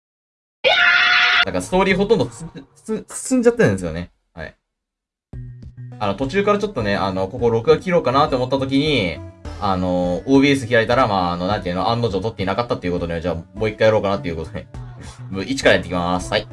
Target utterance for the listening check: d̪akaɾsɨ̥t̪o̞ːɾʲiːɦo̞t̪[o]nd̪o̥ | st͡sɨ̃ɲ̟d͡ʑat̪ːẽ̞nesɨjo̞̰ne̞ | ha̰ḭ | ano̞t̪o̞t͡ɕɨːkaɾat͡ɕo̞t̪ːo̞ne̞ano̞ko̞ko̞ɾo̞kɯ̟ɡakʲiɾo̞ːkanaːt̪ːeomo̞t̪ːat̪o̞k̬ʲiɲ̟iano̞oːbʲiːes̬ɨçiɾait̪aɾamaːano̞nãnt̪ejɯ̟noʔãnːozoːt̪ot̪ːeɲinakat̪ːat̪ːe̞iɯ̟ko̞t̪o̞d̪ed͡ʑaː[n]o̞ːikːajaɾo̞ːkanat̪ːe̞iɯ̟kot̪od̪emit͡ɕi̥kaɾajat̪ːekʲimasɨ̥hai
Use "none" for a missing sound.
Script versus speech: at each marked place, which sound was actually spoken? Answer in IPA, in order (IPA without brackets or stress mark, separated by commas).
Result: õ, m